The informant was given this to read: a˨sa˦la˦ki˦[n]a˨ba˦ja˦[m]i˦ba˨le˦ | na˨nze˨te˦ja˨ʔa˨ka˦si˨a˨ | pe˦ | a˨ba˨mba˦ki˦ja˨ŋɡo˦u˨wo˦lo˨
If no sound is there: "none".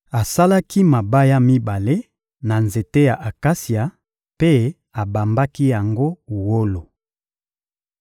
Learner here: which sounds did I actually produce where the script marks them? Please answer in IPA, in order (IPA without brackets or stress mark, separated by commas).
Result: m, m